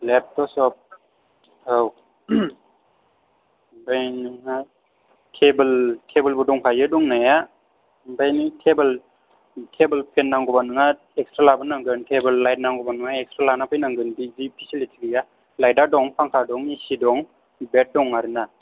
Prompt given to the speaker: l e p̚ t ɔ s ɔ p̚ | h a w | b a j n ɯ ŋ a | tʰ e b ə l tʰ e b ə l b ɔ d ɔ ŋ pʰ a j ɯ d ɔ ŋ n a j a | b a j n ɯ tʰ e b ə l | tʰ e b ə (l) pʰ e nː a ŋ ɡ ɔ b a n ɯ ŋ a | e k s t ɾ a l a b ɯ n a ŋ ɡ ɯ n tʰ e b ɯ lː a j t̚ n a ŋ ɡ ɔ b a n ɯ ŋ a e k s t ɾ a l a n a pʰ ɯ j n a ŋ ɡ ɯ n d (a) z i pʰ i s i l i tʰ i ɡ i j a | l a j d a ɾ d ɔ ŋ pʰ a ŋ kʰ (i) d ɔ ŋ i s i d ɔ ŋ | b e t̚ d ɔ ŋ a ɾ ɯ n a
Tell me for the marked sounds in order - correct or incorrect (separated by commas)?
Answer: correct, incorrect, incorrect